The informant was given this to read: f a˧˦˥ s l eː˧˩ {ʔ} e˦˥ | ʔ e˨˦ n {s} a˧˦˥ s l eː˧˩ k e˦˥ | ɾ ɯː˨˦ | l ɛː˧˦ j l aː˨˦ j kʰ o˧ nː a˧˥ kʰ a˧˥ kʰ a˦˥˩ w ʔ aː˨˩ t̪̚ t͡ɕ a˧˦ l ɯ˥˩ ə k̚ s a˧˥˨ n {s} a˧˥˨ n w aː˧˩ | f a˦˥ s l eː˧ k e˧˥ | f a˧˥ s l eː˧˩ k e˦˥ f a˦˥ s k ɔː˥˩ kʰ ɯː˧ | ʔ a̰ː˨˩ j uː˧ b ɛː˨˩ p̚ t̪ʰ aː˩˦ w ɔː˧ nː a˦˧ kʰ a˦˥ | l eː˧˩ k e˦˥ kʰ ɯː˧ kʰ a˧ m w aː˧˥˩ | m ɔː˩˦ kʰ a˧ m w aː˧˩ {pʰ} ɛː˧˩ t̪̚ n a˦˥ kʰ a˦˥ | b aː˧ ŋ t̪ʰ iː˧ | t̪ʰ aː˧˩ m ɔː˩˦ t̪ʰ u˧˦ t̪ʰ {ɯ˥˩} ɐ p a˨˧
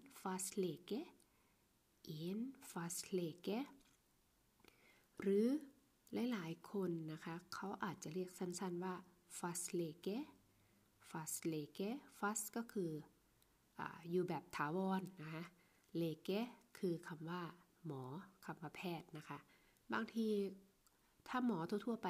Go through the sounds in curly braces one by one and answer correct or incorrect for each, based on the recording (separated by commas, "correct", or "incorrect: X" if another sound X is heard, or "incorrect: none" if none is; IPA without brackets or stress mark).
incorrect: k, incorrect: f, correct, correct, incorrect: u˥˩